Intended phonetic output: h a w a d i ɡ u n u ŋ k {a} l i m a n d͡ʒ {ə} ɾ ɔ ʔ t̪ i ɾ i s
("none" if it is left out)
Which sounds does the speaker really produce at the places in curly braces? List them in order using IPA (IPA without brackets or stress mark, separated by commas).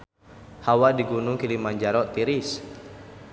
i, a